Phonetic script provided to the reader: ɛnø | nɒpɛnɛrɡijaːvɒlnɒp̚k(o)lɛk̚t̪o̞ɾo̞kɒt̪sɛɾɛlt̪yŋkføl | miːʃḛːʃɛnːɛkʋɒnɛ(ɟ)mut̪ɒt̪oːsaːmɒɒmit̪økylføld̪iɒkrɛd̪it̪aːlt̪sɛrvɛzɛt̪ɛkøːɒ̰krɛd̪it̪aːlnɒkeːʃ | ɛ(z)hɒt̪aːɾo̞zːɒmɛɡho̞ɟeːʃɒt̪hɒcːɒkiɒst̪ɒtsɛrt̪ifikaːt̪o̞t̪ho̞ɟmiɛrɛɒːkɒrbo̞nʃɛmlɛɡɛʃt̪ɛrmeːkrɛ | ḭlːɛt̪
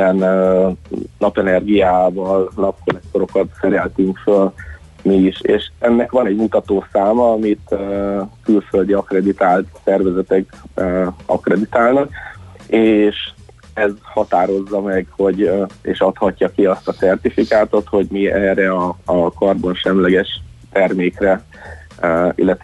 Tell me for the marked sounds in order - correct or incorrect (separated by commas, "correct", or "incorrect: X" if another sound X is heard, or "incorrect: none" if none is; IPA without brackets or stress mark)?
correct, correct, correct